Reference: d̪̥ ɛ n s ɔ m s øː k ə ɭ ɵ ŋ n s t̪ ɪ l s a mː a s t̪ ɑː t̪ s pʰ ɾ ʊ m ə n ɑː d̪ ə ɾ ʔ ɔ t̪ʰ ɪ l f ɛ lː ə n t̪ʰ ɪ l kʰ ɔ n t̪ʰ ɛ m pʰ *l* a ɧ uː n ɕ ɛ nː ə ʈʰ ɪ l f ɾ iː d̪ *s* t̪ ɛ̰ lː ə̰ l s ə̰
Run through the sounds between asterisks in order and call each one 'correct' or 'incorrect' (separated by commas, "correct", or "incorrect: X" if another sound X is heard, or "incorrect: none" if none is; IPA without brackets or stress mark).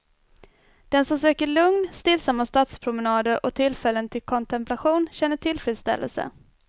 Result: correct, correct